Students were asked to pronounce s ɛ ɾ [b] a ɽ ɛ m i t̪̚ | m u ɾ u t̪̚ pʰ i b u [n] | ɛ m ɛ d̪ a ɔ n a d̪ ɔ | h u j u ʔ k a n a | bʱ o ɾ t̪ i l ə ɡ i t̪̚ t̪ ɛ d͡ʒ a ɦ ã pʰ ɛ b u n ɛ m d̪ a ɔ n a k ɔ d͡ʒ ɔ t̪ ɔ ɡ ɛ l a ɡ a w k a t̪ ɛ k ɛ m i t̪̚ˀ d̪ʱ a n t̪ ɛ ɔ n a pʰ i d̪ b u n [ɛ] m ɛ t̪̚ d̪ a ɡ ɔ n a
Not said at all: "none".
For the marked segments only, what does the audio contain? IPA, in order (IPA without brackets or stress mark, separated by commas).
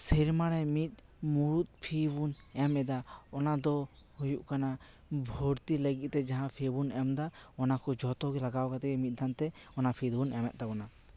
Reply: m, n, ɛ